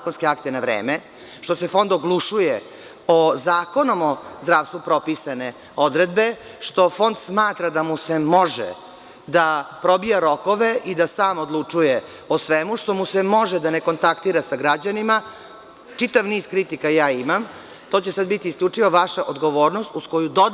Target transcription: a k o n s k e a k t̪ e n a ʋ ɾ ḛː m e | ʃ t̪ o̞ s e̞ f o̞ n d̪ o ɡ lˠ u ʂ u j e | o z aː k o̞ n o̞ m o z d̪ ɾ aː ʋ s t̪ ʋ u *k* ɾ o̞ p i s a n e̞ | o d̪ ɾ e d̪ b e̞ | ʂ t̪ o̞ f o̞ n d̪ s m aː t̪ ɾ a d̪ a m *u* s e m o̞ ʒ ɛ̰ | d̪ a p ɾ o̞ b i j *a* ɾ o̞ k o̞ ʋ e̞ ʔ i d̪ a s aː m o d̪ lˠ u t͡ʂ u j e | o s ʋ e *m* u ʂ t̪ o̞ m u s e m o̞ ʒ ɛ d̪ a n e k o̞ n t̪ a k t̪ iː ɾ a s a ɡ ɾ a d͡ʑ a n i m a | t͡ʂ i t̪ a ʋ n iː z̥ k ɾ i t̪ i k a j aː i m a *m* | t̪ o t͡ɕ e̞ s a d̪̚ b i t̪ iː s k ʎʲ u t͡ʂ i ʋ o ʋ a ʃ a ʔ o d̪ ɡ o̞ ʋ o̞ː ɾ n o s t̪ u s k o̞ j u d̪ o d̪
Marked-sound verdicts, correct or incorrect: incorrect: p, correct, correct, correct, correct

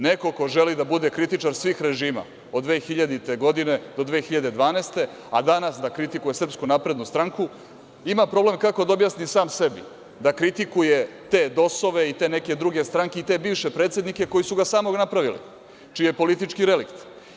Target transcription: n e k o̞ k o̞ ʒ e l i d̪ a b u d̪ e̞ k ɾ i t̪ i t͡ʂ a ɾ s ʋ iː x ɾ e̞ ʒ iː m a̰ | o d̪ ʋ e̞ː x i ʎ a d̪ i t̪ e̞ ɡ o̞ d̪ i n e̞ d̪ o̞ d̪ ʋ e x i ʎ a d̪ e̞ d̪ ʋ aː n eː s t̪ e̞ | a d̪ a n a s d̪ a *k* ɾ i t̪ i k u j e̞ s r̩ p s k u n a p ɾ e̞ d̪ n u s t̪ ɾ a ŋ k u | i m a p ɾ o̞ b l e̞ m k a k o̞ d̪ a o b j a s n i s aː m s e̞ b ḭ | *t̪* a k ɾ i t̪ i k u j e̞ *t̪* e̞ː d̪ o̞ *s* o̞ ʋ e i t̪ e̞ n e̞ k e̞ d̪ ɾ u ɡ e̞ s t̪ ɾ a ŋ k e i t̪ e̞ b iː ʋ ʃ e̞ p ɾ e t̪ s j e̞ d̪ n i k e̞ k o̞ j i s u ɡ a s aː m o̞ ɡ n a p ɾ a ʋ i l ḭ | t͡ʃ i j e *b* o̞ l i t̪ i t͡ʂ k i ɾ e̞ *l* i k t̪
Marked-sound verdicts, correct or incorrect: correct, incorrect: d̪, correct, correct, incorrect: p, correct

